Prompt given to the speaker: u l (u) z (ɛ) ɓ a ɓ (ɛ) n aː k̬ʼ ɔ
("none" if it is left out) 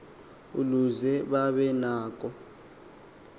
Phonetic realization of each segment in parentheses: u, ɛ, ɛ

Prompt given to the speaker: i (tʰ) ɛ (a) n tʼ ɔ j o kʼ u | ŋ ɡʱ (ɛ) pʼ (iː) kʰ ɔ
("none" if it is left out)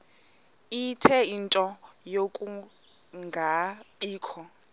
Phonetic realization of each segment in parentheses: tʰ, i, a, iː

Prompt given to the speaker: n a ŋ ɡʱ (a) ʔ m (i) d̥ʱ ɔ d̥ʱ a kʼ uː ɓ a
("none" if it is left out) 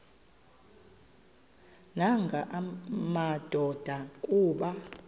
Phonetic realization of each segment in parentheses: a, a

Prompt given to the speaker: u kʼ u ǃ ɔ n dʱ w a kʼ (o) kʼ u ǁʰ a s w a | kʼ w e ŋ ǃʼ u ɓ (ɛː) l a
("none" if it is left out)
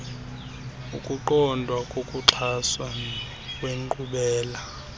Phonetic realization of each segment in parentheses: o, ɛː

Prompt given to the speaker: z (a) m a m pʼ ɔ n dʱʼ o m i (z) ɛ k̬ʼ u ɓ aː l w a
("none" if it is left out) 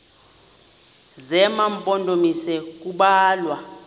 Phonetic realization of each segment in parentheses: ɛ, s

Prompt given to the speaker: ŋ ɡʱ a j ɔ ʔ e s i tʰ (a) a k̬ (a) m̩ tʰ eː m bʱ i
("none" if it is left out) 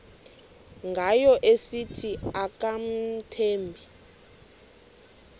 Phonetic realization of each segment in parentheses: i, a

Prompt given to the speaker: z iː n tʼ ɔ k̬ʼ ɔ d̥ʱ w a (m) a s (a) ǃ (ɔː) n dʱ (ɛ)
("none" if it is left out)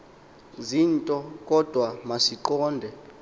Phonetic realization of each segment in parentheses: m, i, ɔː, ɛ

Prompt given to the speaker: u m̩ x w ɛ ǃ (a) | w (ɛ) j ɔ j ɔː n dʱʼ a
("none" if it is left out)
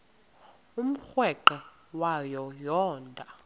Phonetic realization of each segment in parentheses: ɛ, a

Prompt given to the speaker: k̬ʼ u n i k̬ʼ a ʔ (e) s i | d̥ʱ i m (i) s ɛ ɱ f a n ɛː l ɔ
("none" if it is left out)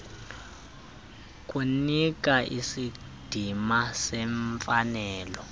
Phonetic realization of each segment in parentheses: i, a

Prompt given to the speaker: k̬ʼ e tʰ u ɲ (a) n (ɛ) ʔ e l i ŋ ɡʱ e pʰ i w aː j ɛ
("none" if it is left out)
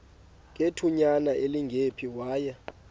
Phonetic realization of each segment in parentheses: a, a

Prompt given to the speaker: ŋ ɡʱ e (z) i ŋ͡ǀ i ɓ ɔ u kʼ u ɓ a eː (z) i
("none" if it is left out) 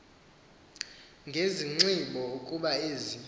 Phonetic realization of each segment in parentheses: z, z

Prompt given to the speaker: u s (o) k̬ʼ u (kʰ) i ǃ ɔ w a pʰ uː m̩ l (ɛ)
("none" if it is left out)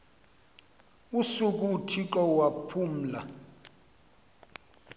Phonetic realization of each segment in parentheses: u, tʰ, a

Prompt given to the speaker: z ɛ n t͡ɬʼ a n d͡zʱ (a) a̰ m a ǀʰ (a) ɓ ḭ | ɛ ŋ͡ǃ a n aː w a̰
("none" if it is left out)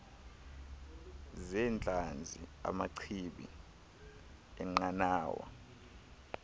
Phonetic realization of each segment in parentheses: i, i

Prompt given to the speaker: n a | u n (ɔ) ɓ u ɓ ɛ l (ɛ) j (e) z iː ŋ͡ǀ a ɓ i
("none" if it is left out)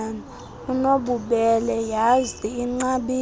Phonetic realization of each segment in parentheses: o, ɛ, a

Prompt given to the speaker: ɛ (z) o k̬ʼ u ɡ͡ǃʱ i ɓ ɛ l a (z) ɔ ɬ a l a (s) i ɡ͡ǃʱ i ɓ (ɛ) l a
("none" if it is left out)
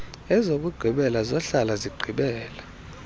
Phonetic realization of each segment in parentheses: z, z, z, ɛː

